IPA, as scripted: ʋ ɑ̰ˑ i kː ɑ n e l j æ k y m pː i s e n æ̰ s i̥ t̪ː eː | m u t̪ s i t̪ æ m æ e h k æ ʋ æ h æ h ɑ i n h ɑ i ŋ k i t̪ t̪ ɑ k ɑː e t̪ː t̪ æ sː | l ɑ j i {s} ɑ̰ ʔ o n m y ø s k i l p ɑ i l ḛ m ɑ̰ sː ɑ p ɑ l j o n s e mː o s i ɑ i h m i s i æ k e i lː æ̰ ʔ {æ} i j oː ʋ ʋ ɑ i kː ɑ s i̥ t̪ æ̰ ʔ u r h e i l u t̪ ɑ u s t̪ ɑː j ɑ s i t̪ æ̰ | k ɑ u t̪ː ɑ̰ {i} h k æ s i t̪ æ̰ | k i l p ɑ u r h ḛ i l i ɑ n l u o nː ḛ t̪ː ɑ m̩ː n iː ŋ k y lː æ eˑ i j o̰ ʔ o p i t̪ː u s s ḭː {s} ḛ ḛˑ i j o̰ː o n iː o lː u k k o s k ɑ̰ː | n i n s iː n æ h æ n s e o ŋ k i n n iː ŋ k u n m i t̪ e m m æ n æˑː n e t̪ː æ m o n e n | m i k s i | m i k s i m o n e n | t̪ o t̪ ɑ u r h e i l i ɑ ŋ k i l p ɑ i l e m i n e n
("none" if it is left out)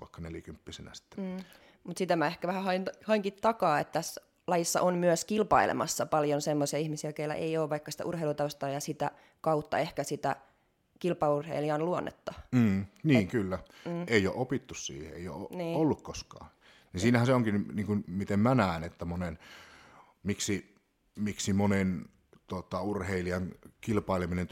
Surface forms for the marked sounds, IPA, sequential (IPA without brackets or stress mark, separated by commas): sː, e, e, h